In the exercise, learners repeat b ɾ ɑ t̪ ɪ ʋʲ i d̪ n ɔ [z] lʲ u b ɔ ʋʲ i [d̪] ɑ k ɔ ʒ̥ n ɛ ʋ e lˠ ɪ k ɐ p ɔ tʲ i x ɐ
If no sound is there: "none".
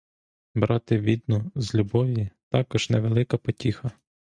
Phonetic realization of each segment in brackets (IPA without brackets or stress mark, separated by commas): z, t̪